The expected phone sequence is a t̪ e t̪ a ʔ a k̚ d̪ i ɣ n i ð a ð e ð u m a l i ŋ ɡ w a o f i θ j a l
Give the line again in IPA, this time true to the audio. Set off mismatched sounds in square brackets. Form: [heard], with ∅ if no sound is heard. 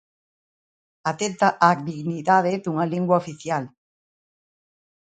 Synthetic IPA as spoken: a t̪ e t̪ a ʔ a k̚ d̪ i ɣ n i ð a ð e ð u [ŋ] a l i ŋ ɡ w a o f i θ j a l